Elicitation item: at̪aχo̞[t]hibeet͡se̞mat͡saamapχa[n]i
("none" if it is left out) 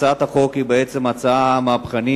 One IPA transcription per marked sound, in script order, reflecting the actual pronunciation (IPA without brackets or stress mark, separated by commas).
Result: k, n